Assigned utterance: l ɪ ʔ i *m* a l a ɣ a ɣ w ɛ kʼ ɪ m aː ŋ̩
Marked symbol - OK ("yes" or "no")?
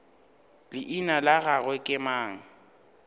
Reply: no